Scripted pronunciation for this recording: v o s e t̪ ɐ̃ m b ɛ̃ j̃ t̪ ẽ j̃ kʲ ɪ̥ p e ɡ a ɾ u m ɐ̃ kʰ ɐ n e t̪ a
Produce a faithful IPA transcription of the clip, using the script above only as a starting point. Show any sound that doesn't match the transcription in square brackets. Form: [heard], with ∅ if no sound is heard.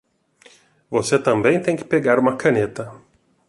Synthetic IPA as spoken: v o s e t̪ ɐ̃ m b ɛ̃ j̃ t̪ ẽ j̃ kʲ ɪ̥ p e ɡ a ɾ u m [ɐ] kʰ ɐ n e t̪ [ɐ]